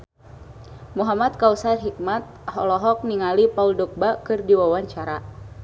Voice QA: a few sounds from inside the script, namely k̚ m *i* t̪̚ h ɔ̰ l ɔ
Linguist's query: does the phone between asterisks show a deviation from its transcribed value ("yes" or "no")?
yes